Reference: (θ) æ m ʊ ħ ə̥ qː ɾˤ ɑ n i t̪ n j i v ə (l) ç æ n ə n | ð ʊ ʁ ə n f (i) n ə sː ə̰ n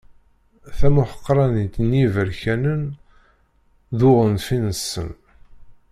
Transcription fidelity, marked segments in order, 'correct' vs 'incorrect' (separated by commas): correct, incorrect, correct